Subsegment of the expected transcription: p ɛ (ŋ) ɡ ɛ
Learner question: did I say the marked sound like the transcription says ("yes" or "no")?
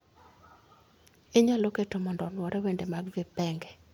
yes